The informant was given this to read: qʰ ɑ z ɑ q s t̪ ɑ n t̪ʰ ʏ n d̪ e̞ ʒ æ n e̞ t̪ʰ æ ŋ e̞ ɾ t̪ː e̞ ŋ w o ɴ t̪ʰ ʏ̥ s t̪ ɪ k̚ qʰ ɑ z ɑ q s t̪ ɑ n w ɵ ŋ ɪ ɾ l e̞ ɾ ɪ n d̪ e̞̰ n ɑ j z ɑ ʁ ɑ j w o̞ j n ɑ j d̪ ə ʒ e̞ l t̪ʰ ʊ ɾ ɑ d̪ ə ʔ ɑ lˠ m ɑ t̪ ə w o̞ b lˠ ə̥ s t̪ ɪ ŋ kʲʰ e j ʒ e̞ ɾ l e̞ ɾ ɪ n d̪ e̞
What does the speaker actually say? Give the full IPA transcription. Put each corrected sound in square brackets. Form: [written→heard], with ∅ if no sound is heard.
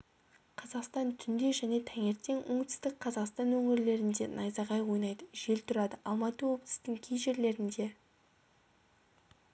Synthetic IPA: qʰ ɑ z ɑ q s t̪ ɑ n t̪ʰ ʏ n d̪ e̞ ʒ æ n e̞ t̪ʰ æ ŋ e̞ ɾ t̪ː e̞ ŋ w o ɴ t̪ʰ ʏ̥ s t̪ ɪ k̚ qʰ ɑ z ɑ q s t̪ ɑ n w ɵ ŋ ɪ ɾ l e̞ ɾ ɪ n d̪ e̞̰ n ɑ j z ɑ ʁ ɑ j w o̞ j n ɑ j d̪ ə ʒ e̞ l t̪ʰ ʊ ɾ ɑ d̪ ə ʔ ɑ lˠ m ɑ t̪ ə w o̞ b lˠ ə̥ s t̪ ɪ ŋ kʲʰ e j ʒ e̞ ɾ l e̞ ɾ ɪ n d̪ e̞